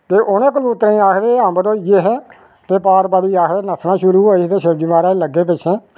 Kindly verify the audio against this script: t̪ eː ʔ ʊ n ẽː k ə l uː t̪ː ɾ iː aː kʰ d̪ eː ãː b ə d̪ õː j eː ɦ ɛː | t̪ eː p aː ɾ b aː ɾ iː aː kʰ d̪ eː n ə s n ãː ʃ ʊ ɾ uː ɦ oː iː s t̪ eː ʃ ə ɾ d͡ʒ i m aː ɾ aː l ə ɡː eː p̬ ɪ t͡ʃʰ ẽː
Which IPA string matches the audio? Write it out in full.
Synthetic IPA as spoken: t̪ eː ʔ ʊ n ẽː k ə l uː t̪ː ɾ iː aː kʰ d̪ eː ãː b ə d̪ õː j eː ɦ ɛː | t̪ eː p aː ɾ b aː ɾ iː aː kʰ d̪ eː n ə s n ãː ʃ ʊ ɾ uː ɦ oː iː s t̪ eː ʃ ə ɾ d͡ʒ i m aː ɾ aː l ə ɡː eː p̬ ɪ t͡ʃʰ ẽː